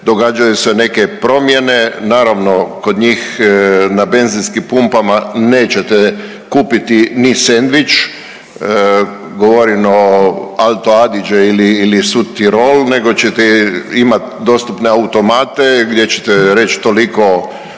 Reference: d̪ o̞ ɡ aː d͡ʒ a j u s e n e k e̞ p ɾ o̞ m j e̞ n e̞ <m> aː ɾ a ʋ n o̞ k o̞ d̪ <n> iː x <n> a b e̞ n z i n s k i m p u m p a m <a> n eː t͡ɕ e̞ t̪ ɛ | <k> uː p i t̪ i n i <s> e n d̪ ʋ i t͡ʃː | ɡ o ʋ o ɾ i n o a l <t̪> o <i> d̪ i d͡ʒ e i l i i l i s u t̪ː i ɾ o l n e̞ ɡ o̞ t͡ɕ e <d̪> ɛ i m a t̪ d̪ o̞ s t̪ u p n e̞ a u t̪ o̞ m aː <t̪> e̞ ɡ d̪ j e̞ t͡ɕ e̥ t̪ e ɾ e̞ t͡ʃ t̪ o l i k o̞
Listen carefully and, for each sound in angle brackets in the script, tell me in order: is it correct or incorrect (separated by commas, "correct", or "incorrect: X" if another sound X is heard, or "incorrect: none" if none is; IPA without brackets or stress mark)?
incorrect: n, incorrect: ɲ, correct, correct, correct, correct, correct, incorrect: a, incorrect: t̪, correct